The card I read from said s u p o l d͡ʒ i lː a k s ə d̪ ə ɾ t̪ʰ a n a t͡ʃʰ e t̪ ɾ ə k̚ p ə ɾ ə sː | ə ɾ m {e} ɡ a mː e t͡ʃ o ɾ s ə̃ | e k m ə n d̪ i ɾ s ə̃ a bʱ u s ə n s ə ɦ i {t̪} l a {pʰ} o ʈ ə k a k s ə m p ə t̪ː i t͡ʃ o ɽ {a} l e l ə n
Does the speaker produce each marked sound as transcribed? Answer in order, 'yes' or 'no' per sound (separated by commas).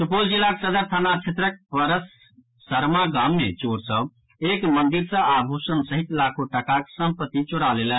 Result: no, yes, no, yes